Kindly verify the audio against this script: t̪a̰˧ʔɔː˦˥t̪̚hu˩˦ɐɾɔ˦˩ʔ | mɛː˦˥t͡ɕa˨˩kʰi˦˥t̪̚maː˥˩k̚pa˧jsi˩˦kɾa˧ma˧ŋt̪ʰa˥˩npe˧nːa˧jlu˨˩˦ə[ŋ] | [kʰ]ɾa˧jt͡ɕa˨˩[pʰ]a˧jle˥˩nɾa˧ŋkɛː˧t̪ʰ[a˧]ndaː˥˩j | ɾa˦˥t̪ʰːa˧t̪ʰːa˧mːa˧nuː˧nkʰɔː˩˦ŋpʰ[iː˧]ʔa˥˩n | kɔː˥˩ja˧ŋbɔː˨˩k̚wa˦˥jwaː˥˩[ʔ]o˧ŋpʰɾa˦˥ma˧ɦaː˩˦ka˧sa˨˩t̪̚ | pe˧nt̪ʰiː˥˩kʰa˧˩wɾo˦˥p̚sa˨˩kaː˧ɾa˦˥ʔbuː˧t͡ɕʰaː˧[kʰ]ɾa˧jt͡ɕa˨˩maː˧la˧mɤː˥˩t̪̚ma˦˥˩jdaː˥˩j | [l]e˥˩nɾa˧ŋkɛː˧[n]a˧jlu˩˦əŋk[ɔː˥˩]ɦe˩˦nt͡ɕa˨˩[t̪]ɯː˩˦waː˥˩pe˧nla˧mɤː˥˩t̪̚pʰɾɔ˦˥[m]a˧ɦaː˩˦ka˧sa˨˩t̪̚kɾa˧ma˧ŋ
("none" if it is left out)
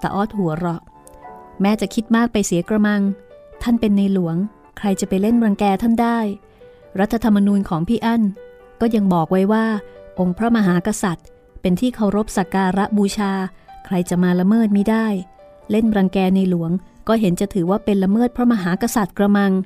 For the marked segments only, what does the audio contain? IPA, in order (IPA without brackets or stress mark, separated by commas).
ŋ, kʰ, p, a˥˩, iː˥˩, ʔ, kʰ, l, n, ɔː˥˩, t̪ʰ, m